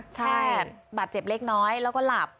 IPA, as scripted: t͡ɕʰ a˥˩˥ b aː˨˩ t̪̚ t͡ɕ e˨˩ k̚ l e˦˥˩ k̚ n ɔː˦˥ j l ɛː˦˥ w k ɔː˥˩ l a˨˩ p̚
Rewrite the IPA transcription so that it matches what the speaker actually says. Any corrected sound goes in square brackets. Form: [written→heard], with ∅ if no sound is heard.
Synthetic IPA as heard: t͡ɕʰ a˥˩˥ b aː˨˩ t̪̚ t͡ɕ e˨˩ [k̚→p̚] l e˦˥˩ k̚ n ɔː˦˥ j l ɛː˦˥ w k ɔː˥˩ l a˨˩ p̚